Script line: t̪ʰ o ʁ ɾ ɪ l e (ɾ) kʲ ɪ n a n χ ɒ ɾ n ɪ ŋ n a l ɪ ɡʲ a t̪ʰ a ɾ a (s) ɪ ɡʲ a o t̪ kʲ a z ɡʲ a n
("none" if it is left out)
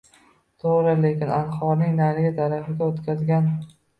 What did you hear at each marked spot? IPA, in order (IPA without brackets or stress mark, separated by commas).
none, f